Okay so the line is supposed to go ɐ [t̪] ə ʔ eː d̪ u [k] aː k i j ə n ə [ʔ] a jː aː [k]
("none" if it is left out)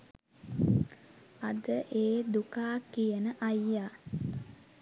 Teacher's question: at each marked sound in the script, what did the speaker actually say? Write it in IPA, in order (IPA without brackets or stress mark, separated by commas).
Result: d̪, k, ʔ, none